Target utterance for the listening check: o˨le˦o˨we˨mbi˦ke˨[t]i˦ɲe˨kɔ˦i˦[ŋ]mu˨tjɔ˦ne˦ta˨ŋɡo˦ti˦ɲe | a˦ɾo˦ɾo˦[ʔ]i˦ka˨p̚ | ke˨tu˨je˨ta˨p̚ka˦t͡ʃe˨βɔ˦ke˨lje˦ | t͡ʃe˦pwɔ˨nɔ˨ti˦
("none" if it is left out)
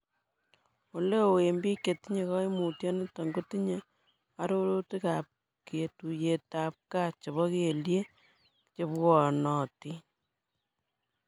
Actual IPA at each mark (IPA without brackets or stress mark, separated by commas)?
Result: t, none, t